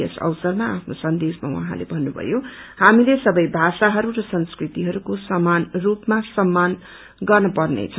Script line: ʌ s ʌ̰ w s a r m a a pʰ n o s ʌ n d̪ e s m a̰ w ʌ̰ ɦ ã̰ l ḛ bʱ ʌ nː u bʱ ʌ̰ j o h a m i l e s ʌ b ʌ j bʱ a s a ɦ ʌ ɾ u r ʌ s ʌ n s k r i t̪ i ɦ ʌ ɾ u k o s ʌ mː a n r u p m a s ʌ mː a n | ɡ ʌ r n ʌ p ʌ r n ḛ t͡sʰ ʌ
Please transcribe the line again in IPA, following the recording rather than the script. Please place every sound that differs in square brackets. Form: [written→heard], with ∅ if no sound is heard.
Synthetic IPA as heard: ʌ s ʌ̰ w s [a→ʌ] r m a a pʰ n o s ʌ n d̪ e s m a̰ w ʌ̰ ɦ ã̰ l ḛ bʱ ʌ nː u bʱ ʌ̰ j o h a m i l e s ʌ b ʌ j bʱ a s a ɦ ʌ ɾ u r ʌ s ʌ n s k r i t̪ i ɦ ʌ ɾ u k o s ʌ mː a n r u p m a s ʌ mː a n | ɡ ʌ r n ʌ p ʌ r n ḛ t͡sʰ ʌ